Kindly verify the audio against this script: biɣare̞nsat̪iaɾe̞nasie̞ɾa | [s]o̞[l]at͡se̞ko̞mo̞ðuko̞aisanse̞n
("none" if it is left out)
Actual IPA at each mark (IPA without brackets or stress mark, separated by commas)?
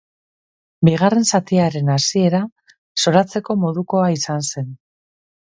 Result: s, ɾ